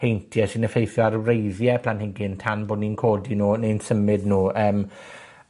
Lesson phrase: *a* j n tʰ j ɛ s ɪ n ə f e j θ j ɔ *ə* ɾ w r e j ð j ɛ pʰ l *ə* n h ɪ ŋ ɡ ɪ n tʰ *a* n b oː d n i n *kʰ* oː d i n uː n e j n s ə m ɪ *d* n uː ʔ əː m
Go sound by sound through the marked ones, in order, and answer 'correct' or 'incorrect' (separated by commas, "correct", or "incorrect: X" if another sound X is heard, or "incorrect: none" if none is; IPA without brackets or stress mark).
incorrect: e, incorrect: a, incorrect: a, correct, correct, correct